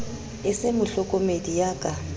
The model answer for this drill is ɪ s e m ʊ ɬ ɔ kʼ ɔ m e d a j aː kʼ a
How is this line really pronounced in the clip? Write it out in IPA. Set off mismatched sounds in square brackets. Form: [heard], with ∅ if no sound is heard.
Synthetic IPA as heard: ɪ s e m ʊ ɬ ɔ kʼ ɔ m e d [i] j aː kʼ a